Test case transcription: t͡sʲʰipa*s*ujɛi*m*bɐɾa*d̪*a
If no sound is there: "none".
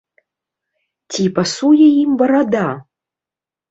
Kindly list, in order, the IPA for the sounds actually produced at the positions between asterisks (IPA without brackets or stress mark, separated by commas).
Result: s, m, d̪